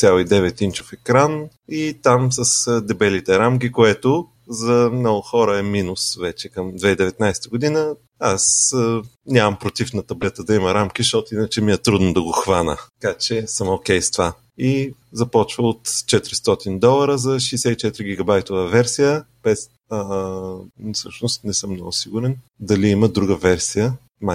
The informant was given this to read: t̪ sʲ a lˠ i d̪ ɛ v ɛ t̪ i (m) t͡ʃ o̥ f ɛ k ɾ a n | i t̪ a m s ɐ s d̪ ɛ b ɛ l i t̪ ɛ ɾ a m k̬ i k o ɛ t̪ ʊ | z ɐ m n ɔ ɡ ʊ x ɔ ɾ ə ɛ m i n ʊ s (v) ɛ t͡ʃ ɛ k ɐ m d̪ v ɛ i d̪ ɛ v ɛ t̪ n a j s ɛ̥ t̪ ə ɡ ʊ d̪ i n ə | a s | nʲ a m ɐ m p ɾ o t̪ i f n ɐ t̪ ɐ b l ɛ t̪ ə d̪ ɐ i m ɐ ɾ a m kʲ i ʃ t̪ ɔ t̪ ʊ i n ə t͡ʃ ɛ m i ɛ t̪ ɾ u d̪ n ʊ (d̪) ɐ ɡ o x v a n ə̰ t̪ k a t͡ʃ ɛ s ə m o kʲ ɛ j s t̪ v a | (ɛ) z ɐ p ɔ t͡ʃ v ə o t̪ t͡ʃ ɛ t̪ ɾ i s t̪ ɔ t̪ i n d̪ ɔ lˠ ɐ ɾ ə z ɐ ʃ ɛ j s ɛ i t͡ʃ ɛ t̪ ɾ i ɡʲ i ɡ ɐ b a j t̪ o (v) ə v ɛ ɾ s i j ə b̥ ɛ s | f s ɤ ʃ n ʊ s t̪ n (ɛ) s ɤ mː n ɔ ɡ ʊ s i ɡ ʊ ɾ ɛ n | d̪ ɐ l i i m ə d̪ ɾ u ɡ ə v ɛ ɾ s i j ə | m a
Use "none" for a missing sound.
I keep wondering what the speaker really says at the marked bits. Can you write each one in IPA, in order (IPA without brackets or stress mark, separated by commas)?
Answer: n, v, d̪, i, v, ɛ